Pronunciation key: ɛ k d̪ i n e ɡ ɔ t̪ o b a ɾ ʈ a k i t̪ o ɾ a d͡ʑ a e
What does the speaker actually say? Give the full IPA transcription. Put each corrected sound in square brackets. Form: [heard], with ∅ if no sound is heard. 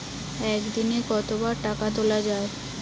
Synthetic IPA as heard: ɛ k d̪ i n e [k] ɔ t̪ o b a ɾ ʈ a k [a] t̪ o [l] a d͡ʑ a e